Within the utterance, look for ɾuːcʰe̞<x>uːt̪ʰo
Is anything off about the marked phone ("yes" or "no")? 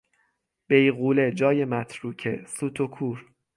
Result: yes